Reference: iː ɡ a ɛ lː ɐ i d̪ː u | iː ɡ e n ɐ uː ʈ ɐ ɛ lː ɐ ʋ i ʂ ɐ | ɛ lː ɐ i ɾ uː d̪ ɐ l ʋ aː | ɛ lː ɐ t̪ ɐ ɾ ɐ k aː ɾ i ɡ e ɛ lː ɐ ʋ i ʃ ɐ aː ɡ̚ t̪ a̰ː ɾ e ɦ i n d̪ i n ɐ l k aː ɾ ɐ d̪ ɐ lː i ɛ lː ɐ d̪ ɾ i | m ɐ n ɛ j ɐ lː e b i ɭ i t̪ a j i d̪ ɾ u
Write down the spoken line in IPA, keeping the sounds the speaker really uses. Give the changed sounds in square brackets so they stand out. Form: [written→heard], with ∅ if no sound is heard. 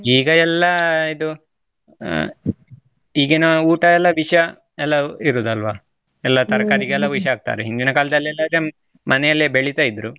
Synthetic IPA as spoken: iː ɡ [a→ɐ] ɛ lː ɐ i [d̪ː→d̪] u | iː ɡ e n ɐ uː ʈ ɐ ɛ lː ɐ ʋ i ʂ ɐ | ɛ lː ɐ i ɾ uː d̪ ɐ l ʋ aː | ɛ lː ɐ t̪ ɐ ɾ ɐ k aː ɾ i ɡ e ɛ lː ɐ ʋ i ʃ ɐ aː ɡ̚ t̪ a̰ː ɾ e ɦ i n d̪ i n ɐ [l→∅] k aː [ɾ→l] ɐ d̪ ɐ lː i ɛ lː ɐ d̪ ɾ [i→e] | m ɐ n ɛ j ɐ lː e b [i→e] ɭ i t̪ a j i d̪ ɾ u